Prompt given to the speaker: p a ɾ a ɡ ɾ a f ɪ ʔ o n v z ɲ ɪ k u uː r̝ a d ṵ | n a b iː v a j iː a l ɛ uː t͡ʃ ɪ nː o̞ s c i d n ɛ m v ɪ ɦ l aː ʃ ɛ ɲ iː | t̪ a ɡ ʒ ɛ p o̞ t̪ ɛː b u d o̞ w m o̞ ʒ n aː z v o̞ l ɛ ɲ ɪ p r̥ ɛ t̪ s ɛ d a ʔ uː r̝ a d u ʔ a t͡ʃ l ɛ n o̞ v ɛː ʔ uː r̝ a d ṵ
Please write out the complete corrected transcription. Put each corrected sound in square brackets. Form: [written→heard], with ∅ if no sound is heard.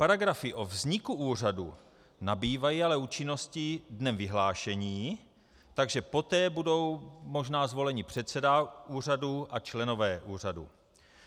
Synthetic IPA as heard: p a ɾ a ɡ ɾ a f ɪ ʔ o [n→∅] v z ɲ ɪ k u uː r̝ a d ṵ | n a b iː v a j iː a l ɛ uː t͡ʃ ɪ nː o̞ s c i d n ɛ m v ɪ ɦ l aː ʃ ɛ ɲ iː | t̪ a ɡ ʒ ɛ p o̞ t̪ ɛː b u d o̞ w m o̞ ʒ n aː z v o̞ l ɛ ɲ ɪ p r̥ ɛ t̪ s ɛ d a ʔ uː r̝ a d u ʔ a t͡ʃ l ɛ n o̞ v ɛː ʔ uː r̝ a d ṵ